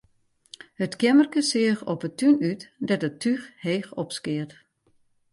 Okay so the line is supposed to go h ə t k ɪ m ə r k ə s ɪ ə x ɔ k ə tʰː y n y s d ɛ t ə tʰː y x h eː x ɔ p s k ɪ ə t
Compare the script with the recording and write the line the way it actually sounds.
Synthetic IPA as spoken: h ə t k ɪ m ə r k ə s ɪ ə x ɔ p ə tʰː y n y t d ɛ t ə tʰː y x h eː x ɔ p s k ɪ ə t